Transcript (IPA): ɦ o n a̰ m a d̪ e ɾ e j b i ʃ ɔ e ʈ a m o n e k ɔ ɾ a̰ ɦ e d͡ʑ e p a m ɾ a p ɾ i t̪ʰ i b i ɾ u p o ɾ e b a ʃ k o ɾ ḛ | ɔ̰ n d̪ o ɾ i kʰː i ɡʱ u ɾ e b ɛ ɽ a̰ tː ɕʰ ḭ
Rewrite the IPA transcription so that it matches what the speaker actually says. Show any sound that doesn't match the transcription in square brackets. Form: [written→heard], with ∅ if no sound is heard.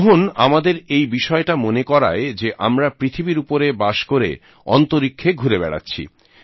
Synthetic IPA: ɦ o n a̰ m a d̪ e ɾ e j b i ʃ ɔ e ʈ a m o n e k ɔ ɾ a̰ [ɦ→∅] e d͡ʑ e [p→ʔ] a m ɾ a p ɾ i t̪ʰ i b i ɾ u p o ɾ e b a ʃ k o ɾ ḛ | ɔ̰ n [d̪→t̪] o ɾ i kʰː [i→e] ɡʱ u ɾ e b ɛ ɽ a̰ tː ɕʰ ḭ